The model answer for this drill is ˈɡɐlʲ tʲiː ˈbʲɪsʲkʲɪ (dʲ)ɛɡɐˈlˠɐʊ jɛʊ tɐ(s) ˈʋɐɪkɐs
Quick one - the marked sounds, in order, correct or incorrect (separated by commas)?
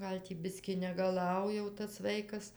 incorrect, correct